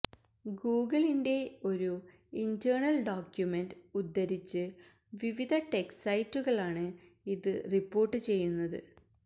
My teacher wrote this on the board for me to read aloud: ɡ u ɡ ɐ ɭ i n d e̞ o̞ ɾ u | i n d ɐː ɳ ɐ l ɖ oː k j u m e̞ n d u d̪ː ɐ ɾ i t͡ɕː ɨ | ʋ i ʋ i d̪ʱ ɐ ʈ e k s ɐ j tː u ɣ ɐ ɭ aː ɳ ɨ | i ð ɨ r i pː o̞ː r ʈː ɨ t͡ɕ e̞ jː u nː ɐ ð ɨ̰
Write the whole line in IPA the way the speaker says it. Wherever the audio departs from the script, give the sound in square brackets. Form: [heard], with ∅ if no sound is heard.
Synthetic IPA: ɡ [uː] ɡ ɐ ɭ i n d e̞ o̞ ɾ u | i n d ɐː ɳ ɐ l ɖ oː k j u m e̞ n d u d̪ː ɐ ɾ i t͡ɕː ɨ | ʋ i ʋ i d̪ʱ ɐ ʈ e k s ɐ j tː u ɣ ɐ ɭ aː ɳ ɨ | i ð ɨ r i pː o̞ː r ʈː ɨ t͡ɕ e̞ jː u nː ɐ ð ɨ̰